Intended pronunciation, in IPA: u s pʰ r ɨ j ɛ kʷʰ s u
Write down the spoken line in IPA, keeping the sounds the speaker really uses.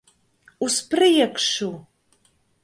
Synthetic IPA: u s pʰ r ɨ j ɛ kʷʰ ʂ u

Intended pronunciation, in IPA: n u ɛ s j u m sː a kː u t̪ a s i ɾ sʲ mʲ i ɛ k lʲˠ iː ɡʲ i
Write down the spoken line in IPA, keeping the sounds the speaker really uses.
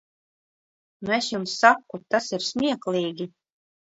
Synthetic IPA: n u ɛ s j u m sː a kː u t̪ a s i ɾ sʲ mʲ i ɛ k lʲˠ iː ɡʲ i

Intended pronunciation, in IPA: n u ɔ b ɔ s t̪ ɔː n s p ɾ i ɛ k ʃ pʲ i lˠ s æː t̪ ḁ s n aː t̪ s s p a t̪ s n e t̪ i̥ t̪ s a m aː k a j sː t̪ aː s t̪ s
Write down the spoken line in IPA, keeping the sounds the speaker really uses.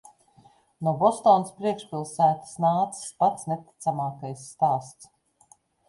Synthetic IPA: n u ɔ b ɔ s t̪ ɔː n s p ɾ i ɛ k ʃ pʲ i lˠ s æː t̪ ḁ s n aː t̪ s s p a t̪ s n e t̪ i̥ t̪ s a m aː k a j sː t̪ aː s t̪ s

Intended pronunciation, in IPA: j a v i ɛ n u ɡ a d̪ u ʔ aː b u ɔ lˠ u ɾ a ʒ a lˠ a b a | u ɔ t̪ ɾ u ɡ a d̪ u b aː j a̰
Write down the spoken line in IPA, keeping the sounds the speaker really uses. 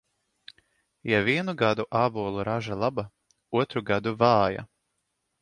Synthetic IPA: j a v i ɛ n u ɡ a d̪ u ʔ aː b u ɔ lˠ u ɾ a ʒ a lˠ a b a | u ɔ t̪ ɾ u ɡ a d̪ u v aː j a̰

